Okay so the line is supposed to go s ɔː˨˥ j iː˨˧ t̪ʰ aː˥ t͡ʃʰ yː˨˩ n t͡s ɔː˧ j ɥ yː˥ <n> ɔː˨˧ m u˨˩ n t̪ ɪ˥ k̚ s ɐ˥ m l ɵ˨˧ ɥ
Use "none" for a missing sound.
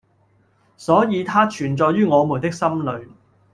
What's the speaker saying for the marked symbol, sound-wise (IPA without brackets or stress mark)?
ŋ